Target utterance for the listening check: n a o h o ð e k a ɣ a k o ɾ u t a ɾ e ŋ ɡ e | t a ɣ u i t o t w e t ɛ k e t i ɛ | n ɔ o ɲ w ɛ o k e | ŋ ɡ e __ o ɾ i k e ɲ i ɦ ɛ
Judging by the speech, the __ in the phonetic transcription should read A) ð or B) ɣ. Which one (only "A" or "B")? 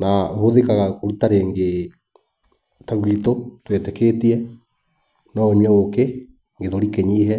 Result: A